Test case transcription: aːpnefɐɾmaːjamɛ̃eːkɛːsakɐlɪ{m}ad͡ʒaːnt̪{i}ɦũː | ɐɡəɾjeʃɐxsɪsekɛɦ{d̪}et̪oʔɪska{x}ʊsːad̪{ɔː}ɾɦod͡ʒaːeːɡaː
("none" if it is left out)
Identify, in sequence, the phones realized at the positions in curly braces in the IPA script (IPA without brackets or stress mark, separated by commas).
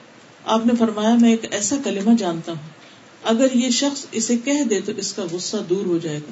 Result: m, a, d̪, ɣ, uː